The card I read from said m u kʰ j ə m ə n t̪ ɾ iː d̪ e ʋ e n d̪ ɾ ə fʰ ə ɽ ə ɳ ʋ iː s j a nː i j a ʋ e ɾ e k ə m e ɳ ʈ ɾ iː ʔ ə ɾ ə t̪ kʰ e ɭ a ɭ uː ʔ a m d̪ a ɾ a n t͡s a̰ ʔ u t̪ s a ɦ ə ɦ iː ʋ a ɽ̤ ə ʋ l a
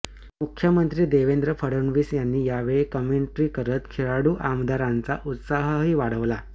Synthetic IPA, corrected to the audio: m u kʰ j ə m ə n t̪ ɾ iː d̪ e ʋ e n d̪ ɾ ə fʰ ə ɽ ə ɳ ʋ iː s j a nː iː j a ʋ e ɭ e k ə m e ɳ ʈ ɾ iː k ə ɾ ə t̪ kʰ e ɭ a ɽ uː ʔ a m d̪ a ɾ a n t͡s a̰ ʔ u t̪ s a ɦ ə ɦ iː ʋ a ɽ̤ ə ʋ l a